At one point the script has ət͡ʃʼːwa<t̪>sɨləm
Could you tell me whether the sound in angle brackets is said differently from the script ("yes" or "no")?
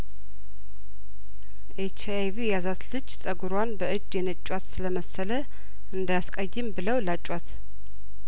no